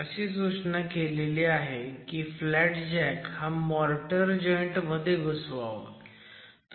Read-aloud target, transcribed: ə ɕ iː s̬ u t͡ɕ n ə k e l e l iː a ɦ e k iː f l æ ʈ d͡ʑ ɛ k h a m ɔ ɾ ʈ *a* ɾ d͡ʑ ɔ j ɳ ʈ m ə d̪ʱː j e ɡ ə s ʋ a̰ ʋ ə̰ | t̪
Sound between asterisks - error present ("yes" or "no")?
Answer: yes